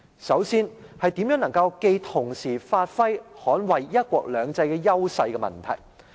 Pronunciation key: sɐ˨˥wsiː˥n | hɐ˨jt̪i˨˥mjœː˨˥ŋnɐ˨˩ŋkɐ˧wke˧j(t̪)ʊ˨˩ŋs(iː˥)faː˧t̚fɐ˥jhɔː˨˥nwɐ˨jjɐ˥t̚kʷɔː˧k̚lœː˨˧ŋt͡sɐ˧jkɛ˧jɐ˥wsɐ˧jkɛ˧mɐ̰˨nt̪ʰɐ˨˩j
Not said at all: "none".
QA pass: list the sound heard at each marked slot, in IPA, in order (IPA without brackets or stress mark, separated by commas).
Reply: t̪ʰ, iː˨˩